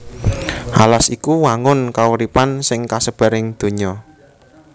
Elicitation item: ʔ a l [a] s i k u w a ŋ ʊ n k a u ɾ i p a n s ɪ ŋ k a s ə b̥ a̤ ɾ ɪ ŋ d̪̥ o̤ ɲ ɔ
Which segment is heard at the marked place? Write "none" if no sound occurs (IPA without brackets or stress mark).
a